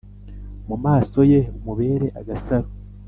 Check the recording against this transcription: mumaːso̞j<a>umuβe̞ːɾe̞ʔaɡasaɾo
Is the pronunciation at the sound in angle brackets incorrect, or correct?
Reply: incorrect: e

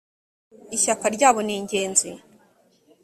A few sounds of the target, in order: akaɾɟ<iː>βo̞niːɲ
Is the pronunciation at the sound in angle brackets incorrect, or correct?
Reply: incorrect: aː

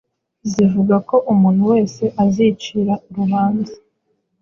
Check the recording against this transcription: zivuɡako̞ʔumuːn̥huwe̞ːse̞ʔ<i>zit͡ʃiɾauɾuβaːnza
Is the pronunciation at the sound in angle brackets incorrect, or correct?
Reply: incorrect: a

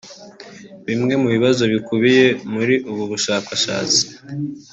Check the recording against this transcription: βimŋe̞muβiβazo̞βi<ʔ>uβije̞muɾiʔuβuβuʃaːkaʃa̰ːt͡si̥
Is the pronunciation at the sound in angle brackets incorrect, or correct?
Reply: incorrect: k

